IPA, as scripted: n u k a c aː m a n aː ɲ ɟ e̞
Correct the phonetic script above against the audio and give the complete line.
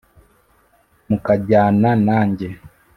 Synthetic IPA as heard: m u k a ɟ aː n a n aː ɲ ɟ e̞